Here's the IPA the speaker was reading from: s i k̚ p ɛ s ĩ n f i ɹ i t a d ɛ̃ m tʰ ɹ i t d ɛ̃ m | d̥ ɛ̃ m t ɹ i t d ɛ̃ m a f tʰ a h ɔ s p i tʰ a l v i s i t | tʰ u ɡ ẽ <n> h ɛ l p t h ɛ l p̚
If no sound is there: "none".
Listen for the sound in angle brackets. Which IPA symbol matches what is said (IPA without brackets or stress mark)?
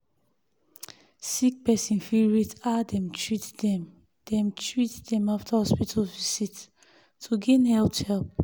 n